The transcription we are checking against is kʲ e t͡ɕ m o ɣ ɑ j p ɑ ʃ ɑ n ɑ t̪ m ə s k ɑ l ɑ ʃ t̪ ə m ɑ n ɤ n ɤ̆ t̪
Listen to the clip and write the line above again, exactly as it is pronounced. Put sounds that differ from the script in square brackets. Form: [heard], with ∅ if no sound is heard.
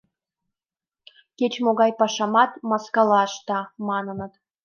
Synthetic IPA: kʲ e t͡ɕ m o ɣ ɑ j p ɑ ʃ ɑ [m] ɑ t̪ m [ɑ] s k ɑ l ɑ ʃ t̪ [ɑ] m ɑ n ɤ n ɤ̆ t̪